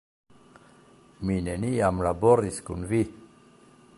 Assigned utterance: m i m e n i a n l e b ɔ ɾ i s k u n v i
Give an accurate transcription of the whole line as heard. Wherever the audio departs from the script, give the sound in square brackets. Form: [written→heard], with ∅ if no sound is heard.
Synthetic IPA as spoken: m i [m→n] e n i a [n→m] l [e→a] b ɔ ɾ i s k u n v i